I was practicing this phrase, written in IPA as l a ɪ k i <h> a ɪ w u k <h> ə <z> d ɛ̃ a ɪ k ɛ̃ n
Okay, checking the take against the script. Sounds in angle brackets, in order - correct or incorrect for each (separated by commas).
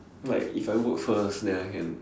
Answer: incorrect, incorrect, incorrect